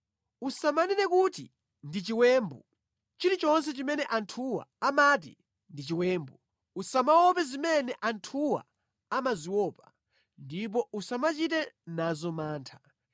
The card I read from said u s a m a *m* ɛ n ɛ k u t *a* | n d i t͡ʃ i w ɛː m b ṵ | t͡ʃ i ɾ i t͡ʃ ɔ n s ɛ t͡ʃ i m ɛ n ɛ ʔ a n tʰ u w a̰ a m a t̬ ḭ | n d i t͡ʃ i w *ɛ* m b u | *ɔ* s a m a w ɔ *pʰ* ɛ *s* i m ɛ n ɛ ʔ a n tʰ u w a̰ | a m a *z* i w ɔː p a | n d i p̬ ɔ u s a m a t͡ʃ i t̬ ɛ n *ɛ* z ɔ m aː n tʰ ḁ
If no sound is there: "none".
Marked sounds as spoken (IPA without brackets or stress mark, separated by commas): n, i, ɛː, u, p, z, z, a